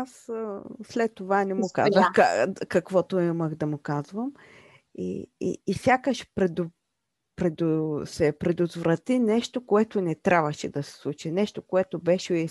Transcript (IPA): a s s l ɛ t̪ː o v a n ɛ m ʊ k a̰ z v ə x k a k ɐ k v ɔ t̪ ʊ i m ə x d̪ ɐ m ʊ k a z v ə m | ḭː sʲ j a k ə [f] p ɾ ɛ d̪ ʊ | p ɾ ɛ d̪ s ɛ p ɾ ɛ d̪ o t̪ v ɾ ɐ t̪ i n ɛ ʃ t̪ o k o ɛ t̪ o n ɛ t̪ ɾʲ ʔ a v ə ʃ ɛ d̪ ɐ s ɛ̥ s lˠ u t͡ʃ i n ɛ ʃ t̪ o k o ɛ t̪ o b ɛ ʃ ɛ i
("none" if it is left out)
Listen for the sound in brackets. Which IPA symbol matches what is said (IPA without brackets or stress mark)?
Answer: ʃ